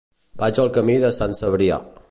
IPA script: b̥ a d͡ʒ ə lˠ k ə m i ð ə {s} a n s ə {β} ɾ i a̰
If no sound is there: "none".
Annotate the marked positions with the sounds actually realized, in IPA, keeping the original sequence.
s, β

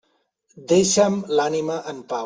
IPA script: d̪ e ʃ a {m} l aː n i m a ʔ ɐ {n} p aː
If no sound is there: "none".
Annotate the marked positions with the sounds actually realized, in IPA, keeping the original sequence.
m, n

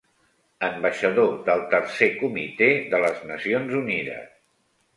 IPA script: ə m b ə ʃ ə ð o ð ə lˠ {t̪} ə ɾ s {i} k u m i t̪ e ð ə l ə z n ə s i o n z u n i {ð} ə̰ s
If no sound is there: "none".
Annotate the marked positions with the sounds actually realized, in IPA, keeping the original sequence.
t̪, e, ð

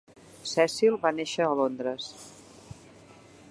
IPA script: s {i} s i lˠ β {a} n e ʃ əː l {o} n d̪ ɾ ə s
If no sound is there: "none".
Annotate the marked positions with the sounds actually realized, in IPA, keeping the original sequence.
ɛ, a, o

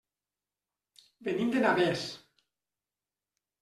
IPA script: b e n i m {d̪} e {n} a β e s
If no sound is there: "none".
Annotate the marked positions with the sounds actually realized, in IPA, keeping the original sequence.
d̪, n

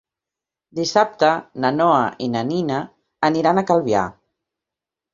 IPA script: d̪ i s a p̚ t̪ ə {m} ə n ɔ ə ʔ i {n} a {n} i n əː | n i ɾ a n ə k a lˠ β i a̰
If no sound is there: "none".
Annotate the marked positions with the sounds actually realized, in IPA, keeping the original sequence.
n, n, n

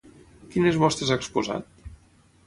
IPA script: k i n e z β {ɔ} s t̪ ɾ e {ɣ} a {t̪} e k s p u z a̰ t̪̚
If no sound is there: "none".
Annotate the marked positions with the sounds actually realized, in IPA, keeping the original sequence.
ɔ, z, none

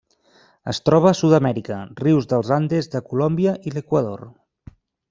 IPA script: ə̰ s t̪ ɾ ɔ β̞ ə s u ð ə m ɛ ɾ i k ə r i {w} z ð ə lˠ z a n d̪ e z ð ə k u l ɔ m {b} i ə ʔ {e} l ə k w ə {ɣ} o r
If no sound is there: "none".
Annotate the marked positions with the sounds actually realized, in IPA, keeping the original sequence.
w, b, i, ð

